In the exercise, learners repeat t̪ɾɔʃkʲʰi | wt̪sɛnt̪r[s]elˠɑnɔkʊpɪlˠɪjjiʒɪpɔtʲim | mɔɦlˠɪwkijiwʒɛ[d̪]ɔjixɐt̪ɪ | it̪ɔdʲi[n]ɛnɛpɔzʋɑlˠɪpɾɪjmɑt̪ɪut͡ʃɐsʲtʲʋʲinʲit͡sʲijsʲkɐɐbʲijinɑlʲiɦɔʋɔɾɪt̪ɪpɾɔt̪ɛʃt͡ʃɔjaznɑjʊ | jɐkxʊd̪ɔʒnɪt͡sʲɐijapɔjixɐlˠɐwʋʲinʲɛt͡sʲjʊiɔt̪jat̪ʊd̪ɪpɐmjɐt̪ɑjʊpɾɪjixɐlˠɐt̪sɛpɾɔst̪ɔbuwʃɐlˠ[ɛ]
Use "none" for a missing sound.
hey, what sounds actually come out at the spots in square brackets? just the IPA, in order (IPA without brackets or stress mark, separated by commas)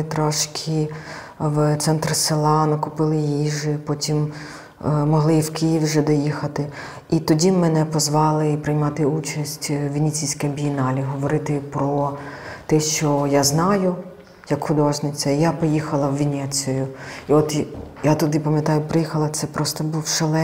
s, d̪, m, ɛ